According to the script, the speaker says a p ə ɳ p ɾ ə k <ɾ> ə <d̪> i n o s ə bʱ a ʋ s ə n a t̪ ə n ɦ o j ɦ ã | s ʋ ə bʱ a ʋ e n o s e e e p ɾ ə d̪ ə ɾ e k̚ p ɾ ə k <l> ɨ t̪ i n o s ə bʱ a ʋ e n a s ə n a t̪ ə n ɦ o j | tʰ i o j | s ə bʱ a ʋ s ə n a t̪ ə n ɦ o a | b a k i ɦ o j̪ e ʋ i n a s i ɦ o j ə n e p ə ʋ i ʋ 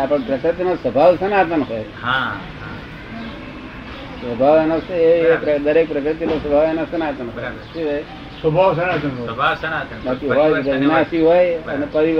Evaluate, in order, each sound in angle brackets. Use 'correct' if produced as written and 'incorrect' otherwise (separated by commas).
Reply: correct, incorrect, incorrect